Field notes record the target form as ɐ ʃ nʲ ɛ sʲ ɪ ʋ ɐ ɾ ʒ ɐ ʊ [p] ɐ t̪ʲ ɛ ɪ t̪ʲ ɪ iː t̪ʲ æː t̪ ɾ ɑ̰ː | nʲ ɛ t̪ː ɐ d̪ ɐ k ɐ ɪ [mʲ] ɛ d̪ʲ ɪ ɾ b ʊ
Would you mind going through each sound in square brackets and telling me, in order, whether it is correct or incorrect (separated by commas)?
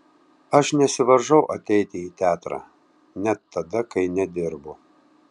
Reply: incorrect, incorrect